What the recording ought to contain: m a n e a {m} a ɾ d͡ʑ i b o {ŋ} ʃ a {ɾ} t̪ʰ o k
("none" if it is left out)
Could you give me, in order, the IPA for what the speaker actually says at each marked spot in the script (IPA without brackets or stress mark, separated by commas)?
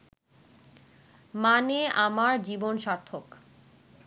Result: m, n, ɾ